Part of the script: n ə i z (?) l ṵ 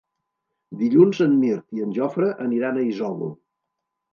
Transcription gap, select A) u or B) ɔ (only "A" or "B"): B